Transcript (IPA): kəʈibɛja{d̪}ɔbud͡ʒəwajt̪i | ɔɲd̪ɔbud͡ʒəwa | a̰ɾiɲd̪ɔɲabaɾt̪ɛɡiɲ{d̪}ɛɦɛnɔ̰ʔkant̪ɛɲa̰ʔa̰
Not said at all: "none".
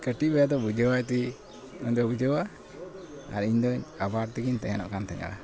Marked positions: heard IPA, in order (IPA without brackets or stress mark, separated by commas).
d̪, t̪